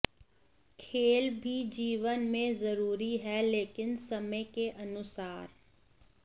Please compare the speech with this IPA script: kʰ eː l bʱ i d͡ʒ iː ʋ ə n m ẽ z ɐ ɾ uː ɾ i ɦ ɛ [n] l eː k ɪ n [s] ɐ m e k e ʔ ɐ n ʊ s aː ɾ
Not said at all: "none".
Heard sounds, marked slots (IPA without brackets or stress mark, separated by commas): none, s